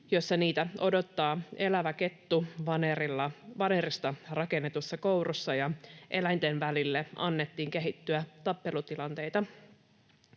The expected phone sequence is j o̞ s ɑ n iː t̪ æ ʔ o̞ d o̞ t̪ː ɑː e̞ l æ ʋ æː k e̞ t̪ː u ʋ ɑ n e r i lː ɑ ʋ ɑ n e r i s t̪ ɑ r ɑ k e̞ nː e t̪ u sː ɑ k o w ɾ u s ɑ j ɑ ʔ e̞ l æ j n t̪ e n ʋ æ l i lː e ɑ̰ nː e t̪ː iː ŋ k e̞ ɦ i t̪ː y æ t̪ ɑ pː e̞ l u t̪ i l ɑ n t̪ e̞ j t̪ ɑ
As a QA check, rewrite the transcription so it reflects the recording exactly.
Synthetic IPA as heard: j o̞ sː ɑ n iː t̪ æ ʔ o̞ d o̞ t̪ː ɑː e̞ l æ ʋ æ k e̞ t̪ː u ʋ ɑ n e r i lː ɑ ʋ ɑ n e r i s t̪ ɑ r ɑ k e̞ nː e t̪ u sː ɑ k o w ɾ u sː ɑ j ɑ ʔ e̞ l æ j n t̪ e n ʋ æ l i lː e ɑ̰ nː e t̪ː iː ŋ k e̞ ɦ i t̪ː y æ t̪ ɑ pː e̞ l u t̪ i l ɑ n t̪ e̞ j t̪ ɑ

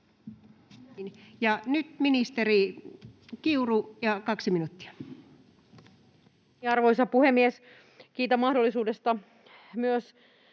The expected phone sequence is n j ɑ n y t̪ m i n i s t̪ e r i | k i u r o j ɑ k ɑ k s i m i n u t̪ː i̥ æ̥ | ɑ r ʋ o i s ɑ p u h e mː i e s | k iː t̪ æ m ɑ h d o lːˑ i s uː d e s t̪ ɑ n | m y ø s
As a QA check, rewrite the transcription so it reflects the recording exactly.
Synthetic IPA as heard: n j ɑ n y t̪ m i n i s t̪ e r i | k i u r u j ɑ k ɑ k s i m i n u t̪ː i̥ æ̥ | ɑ r ʋ o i s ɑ p u h e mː i e s | k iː t̪ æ m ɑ h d o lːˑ i s uː d e s t̪ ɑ | m y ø s

